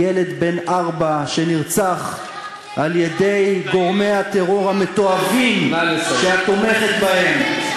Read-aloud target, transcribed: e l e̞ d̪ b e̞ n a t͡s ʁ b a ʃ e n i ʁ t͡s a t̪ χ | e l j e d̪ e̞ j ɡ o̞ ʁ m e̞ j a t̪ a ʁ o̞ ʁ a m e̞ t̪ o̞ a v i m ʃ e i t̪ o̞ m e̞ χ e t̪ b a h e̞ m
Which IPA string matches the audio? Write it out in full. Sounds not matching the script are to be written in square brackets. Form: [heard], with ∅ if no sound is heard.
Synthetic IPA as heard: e l e̞ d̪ b e̞ n a [∅] ʁ b a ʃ e n i ʁ t͡s a [∅] χ | [a] l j e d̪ e̞ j ɡ o̞ ʁ m e̞ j a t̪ [e] ʁ o̞ ʁ a m e̞ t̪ o̞ a v i m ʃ e [a] t̪ o̞ m e̞ χ e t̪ b a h e̞ m